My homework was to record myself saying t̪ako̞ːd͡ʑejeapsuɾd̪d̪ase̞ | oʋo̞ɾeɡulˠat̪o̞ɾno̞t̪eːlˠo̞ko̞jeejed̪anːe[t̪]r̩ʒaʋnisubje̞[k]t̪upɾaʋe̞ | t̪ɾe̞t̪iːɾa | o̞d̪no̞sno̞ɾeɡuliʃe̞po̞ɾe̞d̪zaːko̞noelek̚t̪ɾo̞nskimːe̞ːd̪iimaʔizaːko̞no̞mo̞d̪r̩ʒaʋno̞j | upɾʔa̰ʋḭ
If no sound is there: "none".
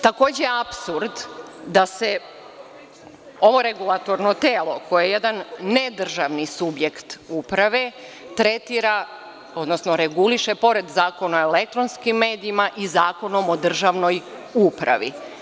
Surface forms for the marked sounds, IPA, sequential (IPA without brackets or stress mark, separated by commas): d̪, k